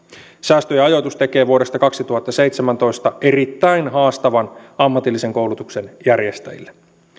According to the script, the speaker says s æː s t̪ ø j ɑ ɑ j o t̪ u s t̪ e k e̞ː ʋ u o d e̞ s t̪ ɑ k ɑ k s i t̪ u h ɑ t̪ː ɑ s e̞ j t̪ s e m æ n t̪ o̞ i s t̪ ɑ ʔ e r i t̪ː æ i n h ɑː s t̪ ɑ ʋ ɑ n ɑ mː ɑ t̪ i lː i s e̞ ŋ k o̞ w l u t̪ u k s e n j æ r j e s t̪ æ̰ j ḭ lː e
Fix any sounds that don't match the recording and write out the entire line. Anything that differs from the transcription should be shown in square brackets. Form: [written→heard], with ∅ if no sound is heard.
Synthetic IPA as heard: s æː s t̪ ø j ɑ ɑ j o t̪ u s t̪ e k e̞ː ʋ u o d e̞ s t̪ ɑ k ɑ k s i t̪ u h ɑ t̪ː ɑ s e̞ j t̪ s e m æ n t̪ o̞ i s t̪ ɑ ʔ e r i t̪ː æ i n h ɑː s t̪ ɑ ʋ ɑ n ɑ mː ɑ t̪ i lː i s e̞ ŋ k o̞ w l u t̪ u k s e n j æ r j e s t̪ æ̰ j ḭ lː e

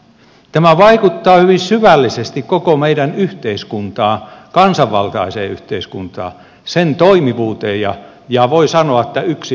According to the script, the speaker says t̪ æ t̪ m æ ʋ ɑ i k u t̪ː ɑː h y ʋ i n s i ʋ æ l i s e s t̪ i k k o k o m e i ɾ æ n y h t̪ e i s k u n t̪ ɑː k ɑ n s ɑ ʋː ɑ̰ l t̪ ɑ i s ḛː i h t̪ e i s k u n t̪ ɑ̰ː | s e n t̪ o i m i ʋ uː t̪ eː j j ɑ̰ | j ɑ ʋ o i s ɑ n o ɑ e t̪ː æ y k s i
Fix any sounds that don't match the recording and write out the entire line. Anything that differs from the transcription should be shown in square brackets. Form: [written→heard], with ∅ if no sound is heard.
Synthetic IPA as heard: t̪ æ [t̪→∅] m æ ʋ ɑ i k u t̪ː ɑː h y ʋ i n s [i→y] ʋ æ [l→lː] i s e s t̪ i k k o k o m e i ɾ æ n y h t̪ e i s k u n t̪ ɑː k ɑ n s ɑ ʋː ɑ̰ l t̪ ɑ i s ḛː [i→y] h t̪ e i s k u n t̪ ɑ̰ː | s e n t̪ o i m i ʋ uː t̪ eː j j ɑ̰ | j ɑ ʋ o i s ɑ n o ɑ e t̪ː æ y k s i

